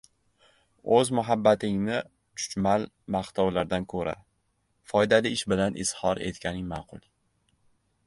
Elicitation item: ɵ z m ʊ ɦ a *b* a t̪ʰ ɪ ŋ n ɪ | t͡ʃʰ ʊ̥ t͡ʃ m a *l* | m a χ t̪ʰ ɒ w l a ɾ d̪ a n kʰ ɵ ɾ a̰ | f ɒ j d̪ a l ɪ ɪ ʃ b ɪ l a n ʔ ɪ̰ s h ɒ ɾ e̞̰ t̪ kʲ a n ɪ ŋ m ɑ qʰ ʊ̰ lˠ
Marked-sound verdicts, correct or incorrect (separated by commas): incorrect, correct